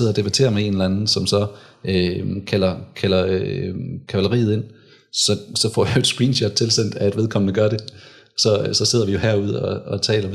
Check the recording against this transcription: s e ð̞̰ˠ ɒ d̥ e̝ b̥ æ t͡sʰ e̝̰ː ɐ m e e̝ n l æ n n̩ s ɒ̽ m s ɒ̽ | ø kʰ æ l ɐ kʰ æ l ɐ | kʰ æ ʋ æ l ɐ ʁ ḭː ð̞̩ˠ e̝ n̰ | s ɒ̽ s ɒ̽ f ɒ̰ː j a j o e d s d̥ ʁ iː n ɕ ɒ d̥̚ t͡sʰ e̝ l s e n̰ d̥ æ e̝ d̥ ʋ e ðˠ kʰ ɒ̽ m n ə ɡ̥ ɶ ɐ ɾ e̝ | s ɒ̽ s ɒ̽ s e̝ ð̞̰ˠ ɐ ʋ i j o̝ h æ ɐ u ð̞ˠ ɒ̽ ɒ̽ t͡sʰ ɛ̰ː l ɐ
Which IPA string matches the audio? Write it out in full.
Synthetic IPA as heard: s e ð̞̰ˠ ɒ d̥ e̝ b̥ æ t͡sʰ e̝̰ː ɐ m e e̝ n l æ n n̩ s ɒ̽ m s ɒ̽ | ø kʰ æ l ɐ kʰ æ l ɐ | kʰ æ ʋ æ l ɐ ʁ ḭː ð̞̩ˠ e̝ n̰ | s ɒ̽ s ɒ̽ f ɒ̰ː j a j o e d s ɡ̥ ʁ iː n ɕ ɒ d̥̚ t͡sʰ e̝ l s e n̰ d̥ æ e̝ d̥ ʋ e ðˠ kʰ ɒ̽ m n ə ɡ̥ ɶ ɐ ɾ e̝ | s ɒ̽ s ɒ̽ s e̝ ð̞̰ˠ ɐ ʋ i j o̝ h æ ɐ u ð̞ˠ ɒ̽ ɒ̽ t͡sʰ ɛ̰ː l ɐ